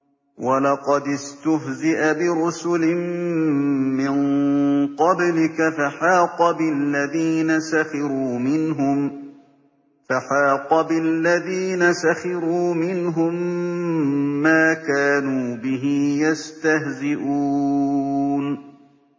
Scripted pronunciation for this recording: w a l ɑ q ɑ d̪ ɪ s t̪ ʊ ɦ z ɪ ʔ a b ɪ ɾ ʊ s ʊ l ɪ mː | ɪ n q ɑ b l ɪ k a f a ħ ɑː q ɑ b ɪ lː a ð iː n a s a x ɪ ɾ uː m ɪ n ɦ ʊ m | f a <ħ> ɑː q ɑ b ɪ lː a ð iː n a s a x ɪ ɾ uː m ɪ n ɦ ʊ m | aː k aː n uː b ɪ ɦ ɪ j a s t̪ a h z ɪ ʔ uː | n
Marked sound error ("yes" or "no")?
no